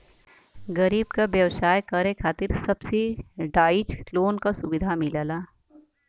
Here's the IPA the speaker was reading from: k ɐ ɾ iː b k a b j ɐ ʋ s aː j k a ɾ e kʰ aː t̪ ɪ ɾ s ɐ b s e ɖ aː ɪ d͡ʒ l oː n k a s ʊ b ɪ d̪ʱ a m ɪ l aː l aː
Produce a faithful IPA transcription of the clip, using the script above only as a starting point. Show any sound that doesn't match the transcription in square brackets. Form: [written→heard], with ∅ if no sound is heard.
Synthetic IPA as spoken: [k→ɡ] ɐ ɾ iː b k a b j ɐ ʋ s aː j k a ɾ e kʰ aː t̪ ɪ ɾ s ɐ b s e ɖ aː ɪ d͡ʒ l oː n k a s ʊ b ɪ d̪ʱ a m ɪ l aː l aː